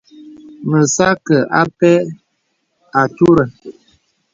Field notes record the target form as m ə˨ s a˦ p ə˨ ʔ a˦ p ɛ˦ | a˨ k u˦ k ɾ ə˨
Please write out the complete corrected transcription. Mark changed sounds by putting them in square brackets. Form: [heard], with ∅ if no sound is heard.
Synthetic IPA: m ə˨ s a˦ [k] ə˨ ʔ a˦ p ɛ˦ | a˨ [t] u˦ [∅] ɾ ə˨